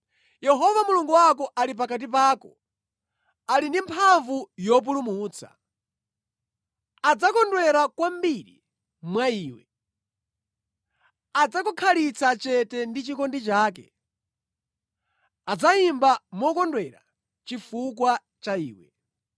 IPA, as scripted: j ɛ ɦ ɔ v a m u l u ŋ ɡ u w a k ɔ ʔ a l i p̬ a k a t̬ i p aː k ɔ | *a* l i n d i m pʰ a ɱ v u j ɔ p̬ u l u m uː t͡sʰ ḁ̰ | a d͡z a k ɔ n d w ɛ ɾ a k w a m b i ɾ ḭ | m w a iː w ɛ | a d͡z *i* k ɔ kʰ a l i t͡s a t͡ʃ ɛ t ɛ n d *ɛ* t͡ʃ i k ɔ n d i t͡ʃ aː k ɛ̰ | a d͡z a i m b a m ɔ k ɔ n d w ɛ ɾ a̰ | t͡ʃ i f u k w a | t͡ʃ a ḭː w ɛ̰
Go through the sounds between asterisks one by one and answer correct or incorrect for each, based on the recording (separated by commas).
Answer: correct, incorrect, incorrect